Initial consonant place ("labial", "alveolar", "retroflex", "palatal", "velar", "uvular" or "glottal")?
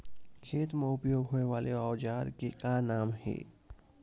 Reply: velar